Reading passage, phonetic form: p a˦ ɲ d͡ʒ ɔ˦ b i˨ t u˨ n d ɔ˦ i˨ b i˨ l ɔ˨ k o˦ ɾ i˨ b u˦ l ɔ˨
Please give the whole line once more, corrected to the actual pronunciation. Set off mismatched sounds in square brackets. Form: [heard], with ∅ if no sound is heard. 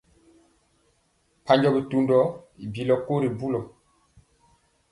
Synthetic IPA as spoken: p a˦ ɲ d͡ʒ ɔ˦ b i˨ t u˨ n d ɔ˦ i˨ b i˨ l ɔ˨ k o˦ ɾ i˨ b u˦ l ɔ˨